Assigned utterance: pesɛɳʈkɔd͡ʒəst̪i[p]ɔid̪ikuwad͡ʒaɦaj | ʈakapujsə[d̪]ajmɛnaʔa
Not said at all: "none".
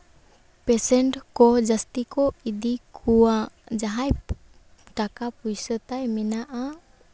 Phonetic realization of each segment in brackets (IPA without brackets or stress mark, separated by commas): k, t̪